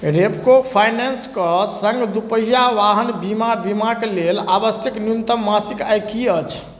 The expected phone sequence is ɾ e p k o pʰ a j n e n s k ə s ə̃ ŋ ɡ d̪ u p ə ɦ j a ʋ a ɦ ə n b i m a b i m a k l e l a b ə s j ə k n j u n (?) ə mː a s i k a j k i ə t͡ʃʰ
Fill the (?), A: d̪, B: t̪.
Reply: B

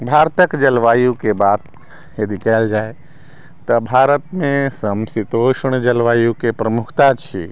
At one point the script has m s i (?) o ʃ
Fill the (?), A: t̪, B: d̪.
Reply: A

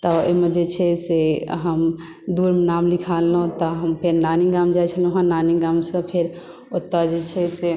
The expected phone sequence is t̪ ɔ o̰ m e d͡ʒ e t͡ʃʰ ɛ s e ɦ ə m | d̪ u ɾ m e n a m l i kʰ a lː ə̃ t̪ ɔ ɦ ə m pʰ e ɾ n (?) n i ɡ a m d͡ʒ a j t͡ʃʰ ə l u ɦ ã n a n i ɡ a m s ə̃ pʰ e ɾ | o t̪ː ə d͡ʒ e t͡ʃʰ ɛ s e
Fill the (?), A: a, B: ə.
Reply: A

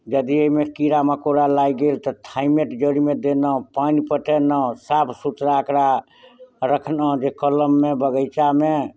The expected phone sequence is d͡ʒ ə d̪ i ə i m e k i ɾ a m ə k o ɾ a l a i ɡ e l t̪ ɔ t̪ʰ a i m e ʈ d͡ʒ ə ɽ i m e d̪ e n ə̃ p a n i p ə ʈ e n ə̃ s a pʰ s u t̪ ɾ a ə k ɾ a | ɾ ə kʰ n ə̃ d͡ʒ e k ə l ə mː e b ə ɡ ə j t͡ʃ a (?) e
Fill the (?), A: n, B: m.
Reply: B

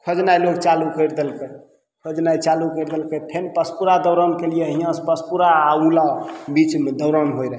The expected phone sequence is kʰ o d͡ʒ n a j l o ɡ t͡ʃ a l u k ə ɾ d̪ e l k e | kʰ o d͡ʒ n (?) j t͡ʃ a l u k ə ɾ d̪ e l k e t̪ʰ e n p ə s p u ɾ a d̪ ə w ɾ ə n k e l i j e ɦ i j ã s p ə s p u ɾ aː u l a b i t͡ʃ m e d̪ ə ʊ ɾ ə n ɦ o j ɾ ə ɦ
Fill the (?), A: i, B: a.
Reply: B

